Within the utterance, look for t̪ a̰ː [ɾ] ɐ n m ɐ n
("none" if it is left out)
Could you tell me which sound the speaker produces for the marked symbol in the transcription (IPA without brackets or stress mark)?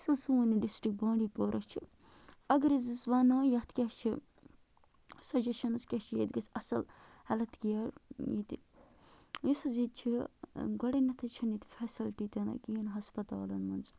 l